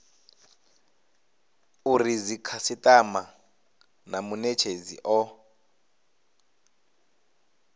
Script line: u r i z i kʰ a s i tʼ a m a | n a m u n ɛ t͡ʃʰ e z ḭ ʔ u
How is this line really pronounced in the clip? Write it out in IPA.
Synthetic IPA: u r i z i kʰ a s i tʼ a m a | n a m u n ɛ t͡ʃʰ e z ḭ ʔ ɔ